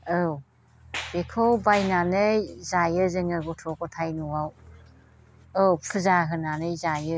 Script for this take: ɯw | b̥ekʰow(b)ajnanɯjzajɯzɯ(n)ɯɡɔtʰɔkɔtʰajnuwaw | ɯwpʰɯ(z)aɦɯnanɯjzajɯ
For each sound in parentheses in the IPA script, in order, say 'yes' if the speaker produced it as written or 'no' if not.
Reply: yes, no, yes

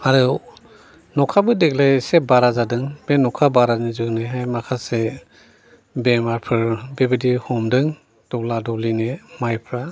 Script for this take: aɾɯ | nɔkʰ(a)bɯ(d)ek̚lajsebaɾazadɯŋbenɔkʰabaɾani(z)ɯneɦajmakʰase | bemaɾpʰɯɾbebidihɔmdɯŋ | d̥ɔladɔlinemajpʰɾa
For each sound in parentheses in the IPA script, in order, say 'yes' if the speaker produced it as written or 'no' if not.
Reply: yes, yes, yes

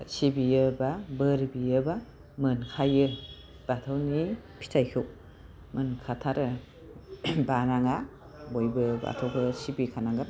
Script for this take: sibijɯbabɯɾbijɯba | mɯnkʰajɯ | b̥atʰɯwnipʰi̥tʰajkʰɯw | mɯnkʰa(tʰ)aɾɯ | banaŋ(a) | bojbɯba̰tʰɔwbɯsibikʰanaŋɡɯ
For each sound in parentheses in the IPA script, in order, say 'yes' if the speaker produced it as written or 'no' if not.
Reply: yes, yes

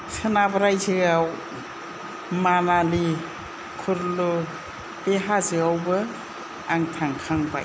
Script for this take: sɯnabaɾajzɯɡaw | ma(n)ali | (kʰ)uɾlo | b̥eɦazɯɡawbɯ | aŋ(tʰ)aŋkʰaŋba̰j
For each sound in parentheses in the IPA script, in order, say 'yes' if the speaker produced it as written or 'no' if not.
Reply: yes, yes, yes

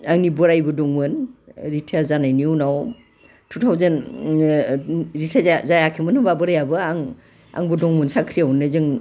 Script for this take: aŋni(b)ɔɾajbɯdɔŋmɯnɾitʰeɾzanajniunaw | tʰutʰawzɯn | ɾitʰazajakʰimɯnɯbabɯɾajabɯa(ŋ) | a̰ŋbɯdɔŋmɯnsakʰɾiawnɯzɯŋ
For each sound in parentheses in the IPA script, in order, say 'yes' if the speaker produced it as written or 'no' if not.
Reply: yes, yes

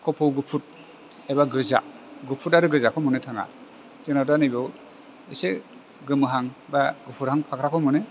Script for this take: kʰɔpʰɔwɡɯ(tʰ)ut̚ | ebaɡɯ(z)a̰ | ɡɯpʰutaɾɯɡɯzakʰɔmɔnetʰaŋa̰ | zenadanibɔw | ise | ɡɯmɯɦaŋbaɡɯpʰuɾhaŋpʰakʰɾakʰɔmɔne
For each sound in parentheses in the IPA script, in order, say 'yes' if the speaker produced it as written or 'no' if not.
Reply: no, yes

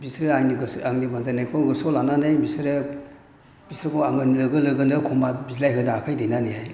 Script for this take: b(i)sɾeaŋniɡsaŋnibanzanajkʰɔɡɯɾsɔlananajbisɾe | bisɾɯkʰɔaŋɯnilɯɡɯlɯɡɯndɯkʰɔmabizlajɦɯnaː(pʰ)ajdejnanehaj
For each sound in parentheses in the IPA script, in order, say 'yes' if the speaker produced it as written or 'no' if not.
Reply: yes, no

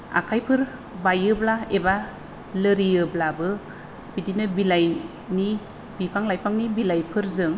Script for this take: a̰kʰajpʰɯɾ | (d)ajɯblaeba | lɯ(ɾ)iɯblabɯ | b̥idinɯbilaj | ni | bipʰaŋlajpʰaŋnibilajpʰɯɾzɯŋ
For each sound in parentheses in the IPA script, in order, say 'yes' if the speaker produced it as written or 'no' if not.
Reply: no, yes

